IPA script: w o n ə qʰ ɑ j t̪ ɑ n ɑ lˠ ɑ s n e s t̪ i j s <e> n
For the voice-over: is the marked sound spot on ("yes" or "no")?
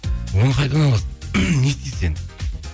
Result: yes